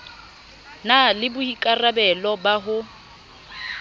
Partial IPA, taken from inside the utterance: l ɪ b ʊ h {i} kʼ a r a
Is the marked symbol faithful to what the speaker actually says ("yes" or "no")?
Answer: yes